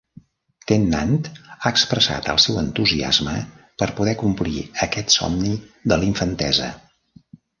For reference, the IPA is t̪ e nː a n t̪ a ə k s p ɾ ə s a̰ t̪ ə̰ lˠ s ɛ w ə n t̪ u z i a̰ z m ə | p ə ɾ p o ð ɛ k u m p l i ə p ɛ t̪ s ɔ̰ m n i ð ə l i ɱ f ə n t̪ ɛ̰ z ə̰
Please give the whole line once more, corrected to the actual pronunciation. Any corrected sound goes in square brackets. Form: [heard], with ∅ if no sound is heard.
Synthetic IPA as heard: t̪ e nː a n t̪ a ə k s p ɾ ə s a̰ t̪ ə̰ lˠ s ɛ w ə n t̪ u z i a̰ z m ə | p ə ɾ p [u] ð ɛ k u m p l i ə [k] ɛ t̪ s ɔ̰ m n i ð ə l i ɱ f ə n t̪ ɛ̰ z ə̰